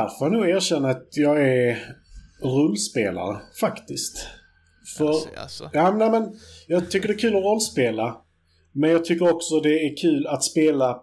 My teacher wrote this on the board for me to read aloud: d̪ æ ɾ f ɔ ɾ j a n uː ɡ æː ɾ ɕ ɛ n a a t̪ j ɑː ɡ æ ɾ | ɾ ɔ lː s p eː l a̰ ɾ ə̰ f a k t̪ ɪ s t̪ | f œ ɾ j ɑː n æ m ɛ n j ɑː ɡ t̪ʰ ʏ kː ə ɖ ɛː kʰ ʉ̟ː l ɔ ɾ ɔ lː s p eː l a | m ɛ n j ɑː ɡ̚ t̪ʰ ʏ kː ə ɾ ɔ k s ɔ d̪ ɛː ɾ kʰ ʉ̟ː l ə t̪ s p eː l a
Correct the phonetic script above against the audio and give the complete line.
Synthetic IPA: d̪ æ ɾ f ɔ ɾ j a n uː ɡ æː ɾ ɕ ɛ nː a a t̪ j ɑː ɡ æ ɾ | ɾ ɔ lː s p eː l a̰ ɾ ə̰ f a k t̪ ɪ s t̪ | f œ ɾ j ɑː n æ m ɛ n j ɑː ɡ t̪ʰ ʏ kː ə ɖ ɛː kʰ ʉ̟ː l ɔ ɾ ɔ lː s p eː l a | m ɛ n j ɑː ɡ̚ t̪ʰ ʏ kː ə ɾ ɔ k s ɔ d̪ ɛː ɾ kʰ ʉ̟ː l a t̪ s p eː l a